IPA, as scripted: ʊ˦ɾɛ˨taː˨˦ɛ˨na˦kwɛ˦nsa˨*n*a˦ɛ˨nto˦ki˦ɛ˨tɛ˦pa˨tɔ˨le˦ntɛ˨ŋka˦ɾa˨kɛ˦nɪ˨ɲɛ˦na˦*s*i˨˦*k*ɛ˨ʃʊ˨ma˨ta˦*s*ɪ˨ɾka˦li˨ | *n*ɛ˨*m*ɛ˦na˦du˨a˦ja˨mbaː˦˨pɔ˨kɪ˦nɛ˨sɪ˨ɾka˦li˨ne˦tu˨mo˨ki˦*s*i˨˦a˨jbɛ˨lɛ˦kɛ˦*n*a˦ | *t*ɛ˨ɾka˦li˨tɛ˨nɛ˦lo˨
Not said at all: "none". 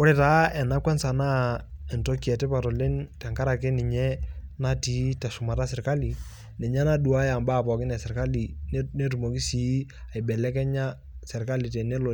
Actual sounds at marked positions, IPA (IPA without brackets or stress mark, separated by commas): n, t, t, s, n, ɲ, s, ɲ, s